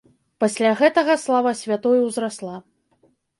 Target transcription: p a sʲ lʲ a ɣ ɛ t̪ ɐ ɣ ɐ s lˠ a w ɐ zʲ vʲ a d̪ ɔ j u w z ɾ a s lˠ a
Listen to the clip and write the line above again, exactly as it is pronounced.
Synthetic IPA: p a sʲ lʲ a ɣ ɛ t̪ ɐ ɣ ɐ s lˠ a v ɐ sʲ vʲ a t̪ ɔ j u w z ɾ a s lˠ a